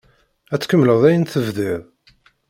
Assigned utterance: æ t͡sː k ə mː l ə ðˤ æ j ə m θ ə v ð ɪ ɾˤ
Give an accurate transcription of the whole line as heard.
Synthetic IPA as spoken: æ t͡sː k ə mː l ə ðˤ æ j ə n θ ə v ð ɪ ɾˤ